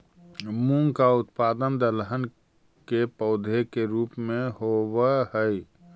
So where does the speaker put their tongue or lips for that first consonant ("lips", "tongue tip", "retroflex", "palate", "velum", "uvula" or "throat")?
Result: lips